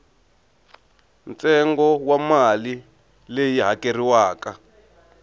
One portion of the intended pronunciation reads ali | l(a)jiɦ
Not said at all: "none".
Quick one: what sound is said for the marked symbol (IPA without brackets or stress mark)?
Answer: e